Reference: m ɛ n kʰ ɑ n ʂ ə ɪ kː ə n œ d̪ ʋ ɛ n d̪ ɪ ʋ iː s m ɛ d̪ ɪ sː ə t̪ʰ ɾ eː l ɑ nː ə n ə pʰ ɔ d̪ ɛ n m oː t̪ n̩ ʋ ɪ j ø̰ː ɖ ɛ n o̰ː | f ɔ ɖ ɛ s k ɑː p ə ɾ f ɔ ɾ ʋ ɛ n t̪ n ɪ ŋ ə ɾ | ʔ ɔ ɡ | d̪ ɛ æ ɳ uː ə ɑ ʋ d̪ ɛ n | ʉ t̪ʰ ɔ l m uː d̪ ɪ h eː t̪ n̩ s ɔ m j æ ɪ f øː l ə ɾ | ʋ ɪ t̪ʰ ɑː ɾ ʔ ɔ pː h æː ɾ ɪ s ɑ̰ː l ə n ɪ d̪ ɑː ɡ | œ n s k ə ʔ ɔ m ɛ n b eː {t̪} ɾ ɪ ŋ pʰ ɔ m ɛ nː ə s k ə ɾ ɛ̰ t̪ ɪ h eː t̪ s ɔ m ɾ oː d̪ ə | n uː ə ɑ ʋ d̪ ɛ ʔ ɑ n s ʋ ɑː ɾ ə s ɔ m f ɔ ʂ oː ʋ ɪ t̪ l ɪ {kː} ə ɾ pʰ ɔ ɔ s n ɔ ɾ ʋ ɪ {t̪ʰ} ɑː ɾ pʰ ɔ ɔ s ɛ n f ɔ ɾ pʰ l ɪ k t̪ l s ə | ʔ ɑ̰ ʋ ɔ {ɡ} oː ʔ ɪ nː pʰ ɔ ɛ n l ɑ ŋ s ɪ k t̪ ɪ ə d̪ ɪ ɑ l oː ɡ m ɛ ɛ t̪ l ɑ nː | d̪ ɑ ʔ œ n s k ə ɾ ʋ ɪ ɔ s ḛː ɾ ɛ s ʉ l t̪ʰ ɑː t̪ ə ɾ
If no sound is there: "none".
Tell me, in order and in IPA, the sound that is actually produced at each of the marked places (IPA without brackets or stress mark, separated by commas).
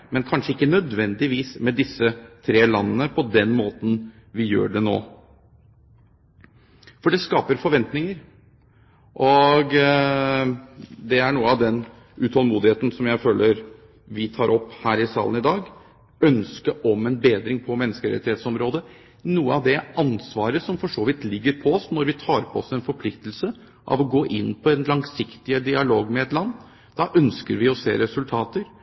d̪, ɡː, t̪ʰ, ɡ